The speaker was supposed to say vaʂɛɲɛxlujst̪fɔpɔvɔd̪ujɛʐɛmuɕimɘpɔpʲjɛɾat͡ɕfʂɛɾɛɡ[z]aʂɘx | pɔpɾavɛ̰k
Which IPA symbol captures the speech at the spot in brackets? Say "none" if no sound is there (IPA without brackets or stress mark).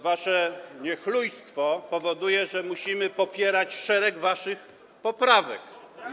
v